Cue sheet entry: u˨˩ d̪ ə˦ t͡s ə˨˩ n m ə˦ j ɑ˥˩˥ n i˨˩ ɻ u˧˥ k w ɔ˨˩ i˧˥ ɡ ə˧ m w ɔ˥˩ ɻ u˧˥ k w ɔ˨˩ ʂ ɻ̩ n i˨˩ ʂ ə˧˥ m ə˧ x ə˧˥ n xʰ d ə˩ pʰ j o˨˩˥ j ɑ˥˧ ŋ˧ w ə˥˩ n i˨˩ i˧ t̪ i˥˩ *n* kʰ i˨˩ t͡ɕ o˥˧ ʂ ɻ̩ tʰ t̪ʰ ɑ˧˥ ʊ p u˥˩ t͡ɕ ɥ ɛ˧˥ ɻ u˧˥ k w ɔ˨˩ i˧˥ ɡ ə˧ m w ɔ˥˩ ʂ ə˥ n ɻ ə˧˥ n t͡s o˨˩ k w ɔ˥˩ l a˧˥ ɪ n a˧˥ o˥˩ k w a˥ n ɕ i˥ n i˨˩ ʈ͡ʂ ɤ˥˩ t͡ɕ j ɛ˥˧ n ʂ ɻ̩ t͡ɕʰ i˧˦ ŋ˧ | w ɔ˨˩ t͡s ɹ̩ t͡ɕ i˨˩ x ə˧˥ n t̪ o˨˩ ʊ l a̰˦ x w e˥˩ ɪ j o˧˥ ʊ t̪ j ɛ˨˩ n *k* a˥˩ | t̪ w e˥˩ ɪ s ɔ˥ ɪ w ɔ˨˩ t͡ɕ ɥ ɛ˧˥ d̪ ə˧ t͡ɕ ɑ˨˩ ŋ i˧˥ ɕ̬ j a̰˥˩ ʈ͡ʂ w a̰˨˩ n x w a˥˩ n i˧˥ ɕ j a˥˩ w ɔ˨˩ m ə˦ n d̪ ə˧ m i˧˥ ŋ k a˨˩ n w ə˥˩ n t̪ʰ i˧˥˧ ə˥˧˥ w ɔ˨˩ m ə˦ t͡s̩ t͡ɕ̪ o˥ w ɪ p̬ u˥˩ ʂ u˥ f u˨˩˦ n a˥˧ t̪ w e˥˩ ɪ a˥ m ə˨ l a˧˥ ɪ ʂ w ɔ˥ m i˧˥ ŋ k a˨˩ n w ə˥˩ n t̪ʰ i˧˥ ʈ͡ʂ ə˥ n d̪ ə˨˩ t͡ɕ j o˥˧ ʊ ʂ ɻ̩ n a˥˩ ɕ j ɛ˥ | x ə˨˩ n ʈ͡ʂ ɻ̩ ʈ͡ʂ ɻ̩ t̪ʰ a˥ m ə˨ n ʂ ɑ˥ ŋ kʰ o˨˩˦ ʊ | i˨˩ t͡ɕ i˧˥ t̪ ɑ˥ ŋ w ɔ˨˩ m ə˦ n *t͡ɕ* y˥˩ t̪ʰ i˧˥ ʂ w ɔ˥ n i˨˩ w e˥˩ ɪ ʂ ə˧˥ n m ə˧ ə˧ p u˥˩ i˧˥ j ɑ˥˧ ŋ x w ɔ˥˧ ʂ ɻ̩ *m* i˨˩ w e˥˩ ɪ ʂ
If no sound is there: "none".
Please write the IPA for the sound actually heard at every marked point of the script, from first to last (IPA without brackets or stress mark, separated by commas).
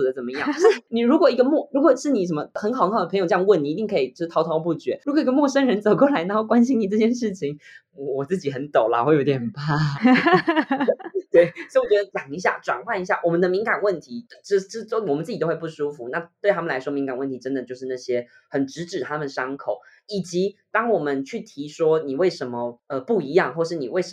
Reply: ŋ, p, t͡ɕʰ, n